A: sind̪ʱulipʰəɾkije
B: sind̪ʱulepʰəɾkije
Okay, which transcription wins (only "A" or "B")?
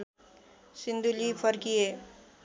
A